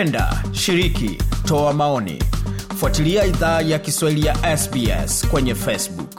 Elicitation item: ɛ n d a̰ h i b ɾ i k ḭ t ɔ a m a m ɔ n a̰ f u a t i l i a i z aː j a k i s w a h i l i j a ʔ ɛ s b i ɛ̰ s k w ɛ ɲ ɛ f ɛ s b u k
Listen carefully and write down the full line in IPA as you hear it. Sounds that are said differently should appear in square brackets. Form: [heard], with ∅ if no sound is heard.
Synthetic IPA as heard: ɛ n d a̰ [ʃ] i [∅] ɾ i k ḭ t ɔ a m a [∅] ɔ n [ḭ] f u a t i l i a i [ð] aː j a k i s w a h i l i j a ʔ ɛ s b i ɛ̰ s k w ɛ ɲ ɛ f ɛ s b u k